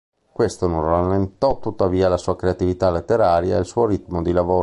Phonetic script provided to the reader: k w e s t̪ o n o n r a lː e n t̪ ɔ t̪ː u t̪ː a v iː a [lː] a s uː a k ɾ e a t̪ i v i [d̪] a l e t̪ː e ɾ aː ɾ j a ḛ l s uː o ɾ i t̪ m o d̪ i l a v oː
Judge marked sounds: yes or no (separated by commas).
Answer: no, no